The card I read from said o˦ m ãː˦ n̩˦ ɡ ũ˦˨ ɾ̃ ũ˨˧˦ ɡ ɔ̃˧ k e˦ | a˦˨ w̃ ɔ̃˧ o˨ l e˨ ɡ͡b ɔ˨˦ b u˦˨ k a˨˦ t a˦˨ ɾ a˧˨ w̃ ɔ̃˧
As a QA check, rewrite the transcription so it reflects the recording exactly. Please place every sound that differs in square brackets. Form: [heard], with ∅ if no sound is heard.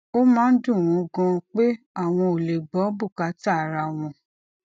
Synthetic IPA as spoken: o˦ m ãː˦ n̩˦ [d] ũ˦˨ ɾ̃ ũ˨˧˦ ɡ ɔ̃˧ [k͡p] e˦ | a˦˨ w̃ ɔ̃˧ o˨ l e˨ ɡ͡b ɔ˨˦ b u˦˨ k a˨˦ t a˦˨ ɾ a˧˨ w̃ ɔ̃˧

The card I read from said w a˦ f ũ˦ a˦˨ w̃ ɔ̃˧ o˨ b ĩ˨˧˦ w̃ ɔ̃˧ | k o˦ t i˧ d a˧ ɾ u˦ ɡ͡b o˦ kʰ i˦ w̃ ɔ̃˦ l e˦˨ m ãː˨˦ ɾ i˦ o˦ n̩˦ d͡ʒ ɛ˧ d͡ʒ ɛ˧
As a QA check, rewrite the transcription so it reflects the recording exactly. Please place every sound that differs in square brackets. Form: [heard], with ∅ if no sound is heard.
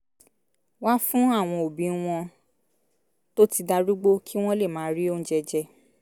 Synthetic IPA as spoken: w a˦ f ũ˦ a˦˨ w̃ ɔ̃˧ o˨ b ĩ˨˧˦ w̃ ɔ̃˧ | [t] o˦ t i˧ d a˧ ɾ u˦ ɡ͡b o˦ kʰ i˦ w̃ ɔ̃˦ l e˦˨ m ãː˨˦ ɾ i˦ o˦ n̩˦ d͡ʒ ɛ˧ d͡ʒ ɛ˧

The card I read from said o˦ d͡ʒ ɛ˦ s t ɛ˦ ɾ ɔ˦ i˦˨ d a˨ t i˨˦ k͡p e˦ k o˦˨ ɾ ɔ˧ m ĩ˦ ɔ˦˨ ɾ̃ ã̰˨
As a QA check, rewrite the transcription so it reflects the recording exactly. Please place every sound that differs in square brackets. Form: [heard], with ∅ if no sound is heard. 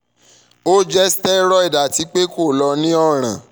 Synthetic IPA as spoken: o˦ d͡ʒ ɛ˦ s t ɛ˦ ɾ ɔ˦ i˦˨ d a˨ t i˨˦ k͡p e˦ k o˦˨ [l] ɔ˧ [n] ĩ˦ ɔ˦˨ ɾ̃ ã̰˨

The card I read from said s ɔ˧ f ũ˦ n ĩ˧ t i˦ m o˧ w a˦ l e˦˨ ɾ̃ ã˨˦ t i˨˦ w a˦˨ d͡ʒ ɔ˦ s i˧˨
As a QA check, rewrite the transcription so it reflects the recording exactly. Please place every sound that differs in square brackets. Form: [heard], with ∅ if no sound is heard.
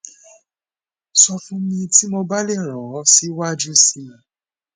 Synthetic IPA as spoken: s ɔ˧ f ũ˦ [m] ĩ˧ t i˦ m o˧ [b] a˦ l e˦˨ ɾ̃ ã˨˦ [s] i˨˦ w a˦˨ d͡ʒ [u˦] s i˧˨

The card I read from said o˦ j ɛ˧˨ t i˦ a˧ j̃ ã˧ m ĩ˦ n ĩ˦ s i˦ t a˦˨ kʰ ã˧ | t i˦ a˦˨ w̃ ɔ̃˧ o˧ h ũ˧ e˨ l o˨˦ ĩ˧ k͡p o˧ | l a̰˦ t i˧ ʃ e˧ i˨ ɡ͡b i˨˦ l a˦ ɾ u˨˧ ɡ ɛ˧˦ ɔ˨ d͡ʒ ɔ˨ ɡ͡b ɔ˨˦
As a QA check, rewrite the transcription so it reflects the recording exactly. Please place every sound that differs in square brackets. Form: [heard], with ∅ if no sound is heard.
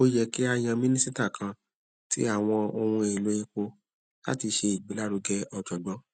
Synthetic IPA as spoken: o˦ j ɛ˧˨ [k] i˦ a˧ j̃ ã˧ m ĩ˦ n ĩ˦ s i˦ t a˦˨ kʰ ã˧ | t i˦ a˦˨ w̃ ɔ̃˧ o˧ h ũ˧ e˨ l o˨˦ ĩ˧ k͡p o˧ | l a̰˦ t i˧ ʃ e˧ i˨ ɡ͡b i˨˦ l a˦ ɾ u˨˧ ɡ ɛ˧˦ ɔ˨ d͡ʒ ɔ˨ ɡ͡b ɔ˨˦

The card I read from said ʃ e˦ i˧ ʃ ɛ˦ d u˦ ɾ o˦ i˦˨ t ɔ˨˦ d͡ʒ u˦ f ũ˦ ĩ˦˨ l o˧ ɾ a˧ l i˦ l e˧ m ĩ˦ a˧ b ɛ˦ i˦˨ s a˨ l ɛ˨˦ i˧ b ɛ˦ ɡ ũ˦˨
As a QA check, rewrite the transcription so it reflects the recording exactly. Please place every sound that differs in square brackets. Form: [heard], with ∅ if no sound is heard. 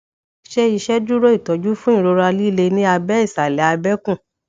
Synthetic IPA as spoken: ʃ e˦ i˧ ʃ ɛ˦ d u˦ ɾ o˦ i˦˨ t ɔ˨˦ d͡ʒ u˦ f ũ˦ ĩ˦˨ [ɾ] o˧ ɾ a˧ l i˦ l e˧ [n] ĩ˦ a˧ b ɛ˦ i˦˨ s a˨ l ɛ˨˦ [a˧] b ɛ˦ [k] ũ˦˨

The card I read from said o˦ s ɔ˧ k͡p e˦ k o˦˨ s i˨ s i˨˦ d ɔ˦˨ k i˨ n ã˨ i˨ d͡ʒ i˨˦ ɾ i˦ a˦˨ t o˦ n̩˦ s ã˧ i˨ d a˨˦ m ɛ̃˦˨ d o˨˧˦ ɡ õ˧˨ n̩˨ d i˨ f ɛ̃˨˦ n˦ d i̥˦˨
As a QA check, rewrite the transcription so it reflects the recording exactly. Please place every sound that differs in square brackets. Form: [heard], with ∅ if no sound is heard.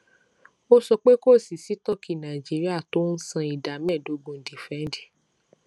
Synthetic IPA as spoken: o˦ s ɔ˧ k͡p e˦ k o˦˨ s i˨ s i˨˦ [t] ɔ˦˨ k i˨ n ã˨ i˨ d͡ʒ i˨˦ ɾ i˦ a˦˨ t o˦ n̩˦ s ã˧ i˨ d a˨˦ m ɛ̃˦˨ d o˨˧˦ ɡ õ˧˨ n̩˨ d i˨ f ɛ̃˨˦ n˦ d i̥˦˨

